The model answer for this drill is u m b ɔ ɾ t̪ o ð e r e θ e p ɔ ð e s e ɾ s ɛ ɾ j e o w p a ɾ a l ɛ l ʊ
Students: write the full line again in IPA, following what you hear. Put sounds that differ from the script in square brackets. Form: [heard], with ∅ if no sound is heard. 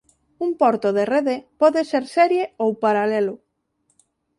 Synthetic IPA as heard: u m [p] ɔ ɾ t̪ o ð e r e [ð] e p ɔ ð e s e ɾ s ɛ ɾ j e o w p a ɾ a l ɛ l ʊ